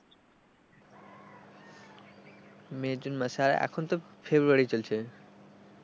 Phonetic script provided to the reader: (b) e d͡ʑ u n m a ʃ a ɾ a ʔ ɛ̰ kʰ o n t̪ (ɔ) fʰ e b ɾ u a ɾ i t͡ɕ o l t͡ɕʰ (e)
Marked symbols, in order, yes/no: no, no, yes

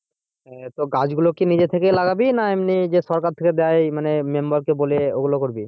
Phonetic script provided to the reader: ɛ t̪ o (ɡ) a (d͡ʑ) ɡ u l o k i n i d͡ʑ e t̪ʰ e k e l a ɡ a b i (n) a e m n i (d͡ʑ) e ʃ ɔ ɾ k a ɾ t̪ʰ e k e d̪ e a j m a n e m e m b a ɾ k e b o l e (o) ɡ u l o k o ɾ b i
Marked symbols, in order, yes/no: yes, yes, yes, yes, yes

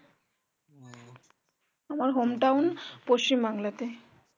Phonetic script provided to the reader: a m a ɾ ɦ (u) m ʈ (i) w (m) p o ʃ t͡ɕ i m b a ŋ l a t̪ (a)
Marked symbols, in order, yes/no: no, no, no, no

